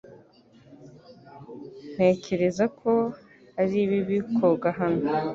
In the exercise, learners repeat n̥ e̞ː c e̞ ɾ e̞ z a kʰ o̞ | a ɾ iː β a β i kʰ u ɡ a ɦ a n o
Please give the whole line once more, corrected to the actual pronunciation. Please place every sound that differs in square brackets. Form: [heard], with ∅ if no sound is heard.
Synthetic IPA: n̥ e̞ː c e̞ ɾ e̞ z a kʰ o̞ | a ɾ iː β [i] β i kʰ [o] ɡ a ɦ a n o